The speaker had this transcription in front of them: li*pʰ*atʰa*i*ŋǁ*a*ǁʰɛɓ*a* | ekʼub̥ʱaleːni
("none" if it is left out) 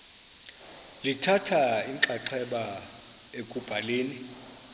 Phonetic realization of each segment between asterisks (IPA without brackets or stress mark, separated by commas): tʰ, i, a, a